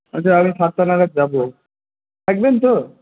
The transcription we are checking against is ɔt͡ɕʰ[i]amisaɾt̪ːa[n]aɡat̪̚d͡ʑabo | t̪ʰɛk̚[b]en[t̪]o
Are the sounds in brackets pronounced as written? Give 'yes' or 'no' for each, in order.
no, yes, yes, yes

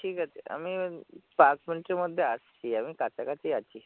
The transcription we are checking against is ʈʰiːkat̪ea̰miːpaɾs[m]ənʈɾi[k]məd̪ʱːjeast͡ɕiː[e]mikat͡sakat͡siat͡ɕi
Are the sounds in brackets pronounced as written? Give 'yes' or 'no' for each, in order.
yes, no, no

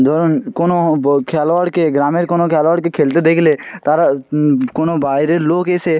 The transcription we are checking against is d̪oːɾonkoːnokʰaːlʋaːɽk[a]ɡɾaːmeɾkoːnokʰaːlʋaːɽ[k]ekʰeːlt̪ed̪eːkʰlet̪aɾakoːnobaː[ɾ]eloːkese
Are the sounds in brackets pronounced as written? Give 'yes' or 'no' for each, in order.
no, yes, yes

